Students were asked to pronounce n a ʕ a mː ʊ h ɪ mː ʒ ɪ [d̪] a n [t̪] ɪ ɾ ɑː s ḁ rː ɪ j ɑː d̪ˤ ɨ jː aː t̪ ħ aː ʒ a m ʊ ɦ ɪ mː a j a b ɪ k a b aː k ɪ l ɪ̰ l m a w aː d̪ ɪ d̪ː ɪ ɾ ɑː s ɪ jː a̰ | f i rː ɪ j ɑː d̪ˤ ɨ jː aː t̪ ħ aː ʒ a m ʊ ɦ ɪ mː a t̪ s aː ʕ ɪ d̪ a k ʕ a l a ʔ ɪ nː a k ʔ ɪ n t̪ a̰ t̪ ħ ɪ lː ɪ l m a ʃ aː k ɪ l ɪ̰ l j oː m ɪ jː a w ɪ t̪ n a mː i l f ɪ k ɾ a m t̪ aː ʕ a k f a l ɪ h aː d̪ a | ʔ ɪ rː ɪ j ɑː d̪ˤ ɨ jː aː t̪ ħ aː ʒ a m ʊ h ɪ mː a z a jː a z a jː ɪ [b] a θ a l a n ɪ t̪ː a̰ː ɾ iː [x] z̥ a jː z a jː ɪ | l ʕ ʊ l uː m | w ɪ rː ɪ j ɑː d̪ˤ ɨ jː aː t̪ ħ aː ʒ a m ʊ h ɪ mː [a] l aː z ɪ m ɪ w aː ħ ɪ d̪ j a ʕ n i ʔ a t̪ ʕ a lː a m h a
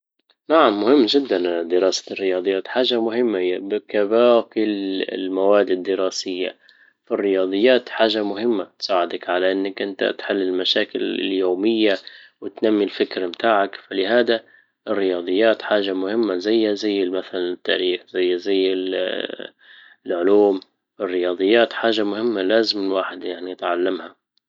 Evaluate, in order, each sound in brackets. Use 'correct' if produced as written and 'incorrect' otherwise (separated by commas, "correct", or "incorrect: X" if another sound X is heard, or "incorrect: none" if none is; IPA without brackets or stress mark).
incorrect: d̪ː, incorrect: d̪, incorrect: m, correct, correct